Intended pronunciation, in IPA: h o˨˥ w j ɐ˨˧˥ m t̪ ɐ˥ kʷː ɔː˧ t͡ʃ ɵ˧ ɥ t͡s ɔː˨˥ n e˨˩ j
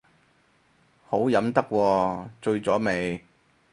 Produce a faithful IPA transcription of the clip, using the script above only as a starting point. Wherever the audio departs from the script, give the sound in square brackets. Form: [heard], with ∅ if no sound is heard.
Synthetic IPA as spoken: h o˨˥ w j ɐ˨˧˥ m t̪ ɐ˥ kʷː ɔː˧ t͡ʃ ɵ˧ ɥ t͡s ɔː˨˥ [m] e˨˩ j